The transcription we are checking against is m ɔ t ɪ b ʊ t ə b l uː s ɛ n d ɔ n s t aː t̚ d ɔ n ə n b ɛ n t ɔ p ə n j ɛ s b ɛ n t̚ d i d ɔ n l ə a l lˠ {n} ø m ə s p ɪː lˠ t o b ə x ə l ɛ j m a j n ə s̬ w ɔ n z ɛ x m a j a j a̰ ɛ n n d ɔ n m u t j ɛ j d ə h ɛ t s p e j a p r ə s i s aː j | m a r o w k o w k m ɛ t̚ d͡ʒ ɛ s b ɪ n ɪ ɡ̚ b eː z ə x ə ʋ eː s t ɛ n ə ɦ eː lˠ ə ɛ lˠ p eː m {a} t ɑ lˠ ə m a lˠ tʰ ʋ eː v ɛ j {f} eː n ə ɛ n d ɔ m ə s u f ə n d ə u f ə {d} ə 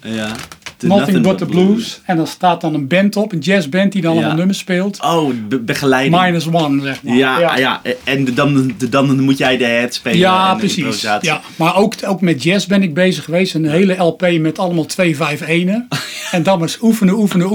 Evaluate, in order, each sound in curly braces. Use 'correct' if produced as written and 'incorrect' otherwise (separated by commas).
correct, incorrect, correct, incorrect